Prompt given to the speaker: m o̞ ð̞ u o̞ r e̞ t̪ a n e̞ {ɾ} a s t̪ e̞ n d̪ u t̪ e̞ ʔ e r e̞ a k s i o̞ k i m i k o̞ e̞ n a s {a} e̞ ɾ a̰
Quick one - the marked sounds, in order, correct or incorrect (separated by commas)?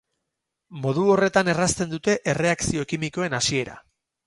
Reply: incorrect, incorrect